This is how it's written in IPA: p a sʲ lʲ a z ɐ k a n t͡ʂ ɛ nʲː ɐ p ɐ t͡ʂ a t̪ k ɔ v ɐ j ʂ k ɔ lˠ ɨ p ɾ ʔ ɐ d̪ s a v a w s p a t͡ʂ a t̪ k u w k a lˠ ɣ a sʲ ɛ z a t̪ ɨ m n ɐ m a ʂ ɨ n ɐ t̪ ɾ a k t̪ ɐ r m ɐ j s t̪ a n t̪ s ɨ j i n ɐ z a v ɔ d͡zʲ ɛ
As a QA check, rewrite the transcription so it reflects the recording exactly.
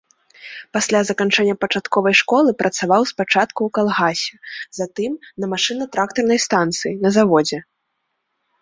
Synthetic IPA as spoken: p a sʲ lʲ a z ɐ k a n t͡ʂ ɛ nʲː ɐ p ɐ t͡ʂ a t̪ k ɔ v ɐ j ʂ k ɔ lˠ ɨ p ɾ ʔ ɐ t̪ s a v a w s p a t͡ʂ a t̪ k u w k a lˠ ɣ a sʲ ɛ z a t̪ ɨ m n ɐ m a ʂ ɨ n ɐ t̪ ɾ a k t̪ ɐ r n ɐ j s t̪ a n t̪ s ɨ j i n ɐ z a v ɔ d͡zʲ ɛ

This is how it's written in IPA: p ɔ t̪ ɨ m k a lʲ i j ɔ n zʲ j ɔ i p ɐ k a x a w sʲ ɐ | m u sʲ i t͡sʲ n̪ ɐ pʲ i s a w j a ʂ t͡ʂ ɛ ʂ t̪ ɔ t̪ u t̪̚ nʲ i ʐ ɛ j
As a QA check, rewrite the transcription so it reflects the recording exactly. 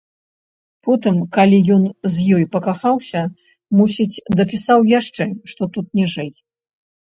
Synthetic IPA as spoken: p ɔ t̪ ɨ m k a lʲ i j ɔ n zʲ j ɔ j p ɐ k a x a w sʲ ɐ | m u sʲ i t͡sʲ d̪ ɐ pʲ i s a w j a ʂ t͡ʂ ɛ ʂ t̪ ɔ t̪ u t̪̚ nʲ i ʐ ɛ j

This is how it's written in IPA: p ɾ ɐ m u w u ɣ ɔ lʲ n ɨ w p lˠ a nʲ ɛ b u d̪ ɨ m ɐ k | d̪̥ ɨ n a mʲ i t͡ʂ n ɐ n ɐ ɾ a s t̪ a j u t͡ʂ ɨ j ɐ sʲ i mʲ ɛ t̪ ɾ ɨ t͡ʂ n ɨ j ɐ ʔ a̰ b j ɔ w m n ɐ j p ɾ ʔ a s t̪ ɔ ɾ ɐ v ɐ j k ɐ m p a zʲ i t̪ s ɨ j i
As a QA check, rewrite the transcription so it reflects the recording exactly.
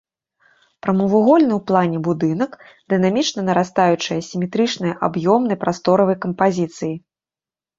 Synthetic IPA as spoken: p ɾ ɐ m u v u ɣ ɔ lʲ n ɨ w p lˠ a nʲ ɛ b u d̪ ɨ n ɐ k | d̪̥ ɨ n a mʲ i t͡ʂ n ɐ n ɐ ɾ a s t̪ a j u t͡ʂ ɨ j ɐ sʲ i mʲ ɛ t̪ ɾ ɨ t͡ʂ n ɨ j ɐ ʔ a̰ b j ɔ m n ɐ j p ɾ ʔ a s t̪ ɔ ɾ ɐ v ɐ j k ɐ m p a zʲ i t̪ s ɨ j i

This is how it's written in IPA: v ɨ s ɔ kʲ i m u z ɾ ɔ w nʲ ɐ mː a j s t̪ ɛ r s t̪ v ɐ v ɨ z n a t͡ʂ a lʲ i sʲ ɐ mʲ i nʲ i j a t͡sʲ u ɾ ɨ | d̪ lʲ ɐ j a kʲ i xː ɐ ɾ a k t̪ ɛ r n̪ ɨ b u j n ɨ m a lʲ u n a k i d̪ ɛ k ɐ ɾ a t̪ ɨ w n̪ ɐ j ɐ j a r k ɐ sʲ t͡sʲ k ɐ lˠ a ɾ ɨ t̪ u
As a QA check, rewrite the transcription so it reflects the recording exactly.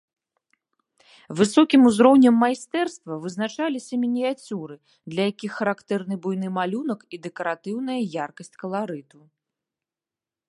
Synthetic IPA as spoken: v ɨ s ɔ kʲ i m u z ɾ ɔ w nʲ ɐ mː a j s t̪ ɛ r s t̪ v ɐ v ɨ z n a t͡ʂ a lʲ i sʲ ɐ mʲ i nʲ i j a t͡sʲ u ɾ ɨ | d̪ lʲ ɐ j a kʲ i xː ɐ ɾ a k t̪ ɛ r n̪ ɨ b u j n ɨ m a lʲ u n ɐ k i d̪ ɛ k ɐ ɾ a t̪ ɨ w n̪ ɐ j ɐ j a r k ɐ sʲ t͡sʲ k ɐ lˠ a ɾ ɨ t̪ u

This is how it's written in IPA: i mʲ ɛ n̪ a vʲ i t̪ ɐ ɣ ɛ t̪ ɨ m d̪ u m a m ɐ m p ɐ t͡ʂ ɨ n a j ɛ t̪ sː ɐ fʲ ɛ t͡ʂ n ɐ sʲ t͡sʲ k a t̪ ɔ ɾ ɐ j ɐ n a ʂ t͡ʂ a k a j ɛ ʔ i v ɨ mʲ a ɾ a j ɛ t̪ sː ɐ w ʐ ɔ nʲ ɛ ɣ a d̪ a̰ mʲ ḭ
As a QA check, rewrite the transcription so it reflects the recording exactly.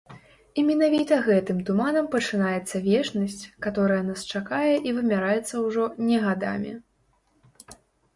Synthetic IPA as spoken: i mʲ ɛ n̪ a vʲ i t̪ ɐ ɣ ɛ t̪ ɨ m t̪ u m a n ɐ m p ɐ t͡ʂ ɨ n a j ɛ t̪ sː ɐ vʲ ɛ t͡ʂ n ɐ sʲ t͡sʲ k a t̪ ɔ ɾ ɐ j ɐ n a s t͡ʂ a k a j ɛ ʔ i v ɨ mʲ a ɾ a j ɛ t̪ sː ɐ w ʐ ɔ nʲ ɛ ɣ a d̪ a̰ mʲ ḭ

